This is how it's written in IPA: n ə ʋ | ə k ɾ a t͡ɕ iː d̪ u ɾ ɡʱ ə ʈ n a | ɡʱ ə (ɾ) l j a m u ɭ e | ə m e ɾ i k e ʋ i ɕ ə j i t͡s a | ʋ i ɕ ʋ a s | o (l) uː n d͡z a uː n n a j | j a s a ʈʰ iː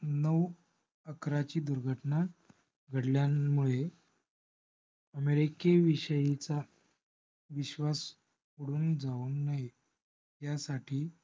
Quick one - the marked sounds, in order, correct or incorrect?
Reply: incorrect, incorrect

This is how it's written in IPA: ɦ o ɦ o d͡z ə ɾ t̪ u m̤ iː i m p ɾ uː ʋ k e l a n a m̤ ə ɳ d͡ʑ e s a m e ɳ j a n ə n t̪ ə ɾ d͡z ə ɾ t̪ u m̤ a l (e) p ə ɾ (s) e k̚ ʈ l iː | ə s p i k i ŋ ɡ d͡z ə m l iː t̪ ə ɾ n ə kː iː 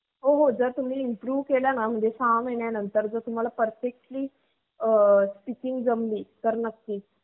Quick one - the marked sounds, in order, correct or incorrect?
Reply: incorrect, incorrect

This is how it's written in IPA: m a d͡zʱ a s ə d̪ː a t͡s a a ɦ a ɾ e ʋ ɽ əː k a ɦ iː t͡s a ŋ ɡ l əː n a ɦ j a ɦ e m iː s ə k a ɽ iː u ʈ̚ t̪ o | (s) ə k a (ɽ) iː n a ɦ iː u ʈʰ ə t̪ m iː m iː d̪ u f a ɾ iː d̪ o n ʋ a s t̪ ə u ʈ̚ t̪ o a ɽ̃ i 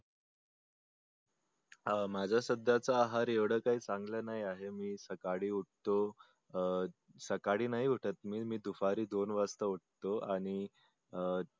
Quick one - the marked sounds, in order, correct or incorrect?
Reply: correct, correct

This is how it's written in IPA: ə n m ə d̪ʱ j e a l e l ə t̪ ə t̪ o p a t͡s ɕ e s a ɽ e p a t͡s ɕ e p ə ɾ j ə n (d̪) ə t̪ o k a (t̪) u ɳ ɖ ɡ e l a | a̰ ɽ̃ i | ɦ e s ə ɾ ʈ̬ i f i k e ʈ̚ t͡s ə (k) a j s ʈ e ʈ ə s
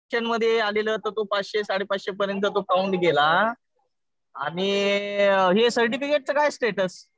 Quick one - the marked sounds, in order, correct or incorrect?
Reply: incorrect, incorrect, correct

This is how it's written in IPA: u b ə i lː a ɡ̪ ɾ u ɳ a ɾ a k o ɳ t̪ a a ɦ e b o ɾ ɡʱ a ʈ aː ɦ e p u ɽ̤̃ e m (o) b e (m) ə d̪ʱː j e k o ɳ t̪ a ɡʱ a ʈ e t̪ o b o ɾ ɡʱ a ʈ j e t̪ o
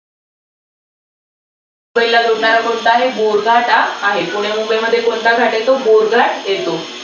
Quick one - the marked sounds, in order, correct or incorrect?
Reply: incorrect, correct

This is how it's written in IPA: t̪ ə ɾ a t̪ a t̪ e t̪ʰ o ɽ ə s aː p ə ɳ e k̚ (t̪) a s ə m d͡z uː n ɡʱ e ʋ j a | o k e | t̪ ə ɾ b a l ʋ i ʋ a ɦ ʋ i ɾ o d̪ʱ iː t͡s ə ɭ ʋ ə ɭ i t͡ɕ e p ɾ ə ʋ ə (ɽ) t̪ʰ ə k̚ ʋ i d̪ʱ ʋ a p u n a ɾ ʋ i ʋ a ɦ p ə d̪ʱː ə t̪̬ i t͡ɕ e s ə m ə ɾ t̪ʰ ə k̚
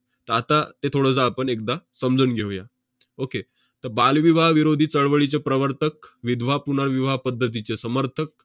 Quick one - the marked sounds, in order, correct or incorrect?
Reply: incorrect, incorrect

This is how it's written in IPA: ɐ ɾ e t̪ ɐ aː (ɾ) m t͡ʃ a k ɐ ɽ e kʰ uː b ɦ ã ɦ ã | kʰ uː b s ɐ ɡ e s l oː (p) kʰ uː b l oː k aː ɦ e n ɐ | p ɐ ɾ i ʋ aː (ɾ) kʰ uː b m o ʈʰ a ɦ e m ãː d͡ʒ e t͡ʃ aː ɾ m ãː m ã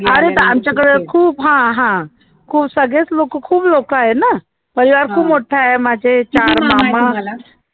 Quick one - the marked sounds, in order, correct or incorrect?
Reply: incorrect, incorrect, correct

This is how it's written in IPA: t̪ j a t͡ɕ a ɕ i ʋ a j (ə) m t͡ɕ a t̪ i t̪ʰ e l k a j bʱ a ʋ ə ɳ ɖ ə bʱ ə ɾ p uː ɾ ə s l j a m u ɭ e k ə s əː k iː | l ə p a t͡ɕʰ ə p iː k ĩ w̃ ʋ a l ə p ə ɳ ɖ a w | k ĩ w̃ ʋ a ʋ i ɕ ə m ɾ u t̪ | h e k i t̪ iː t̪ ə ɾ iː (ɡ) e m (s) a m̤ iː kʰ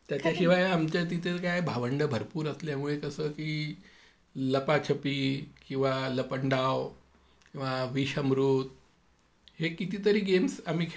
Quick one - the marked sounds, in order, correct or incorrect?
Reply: incorrect, correct, correct

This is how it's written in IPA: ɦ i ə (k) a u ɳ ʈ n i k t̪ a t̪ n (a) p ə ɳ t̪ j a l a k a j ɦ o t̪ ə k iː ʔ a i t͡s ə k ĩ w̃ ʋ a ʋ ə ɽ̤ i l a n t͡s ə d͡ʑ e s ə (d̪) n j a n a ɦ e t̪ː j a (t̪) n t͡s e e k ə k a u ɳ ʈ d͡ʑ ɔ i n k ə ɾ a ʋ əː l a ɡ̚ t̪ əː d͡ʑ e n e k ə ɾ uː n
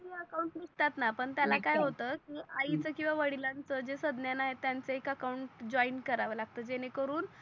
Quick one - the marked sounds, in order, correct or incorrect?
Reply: correct, correct, correct, incorrect

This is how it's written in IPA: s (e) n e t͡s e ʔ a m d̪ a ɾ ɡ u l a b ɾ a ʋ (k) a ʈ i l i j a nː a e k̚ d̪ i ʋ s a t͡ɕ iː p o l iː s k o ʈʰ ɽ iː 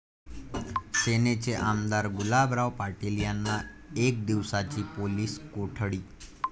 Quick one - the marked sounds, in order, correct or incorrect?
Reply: correct, incorrect

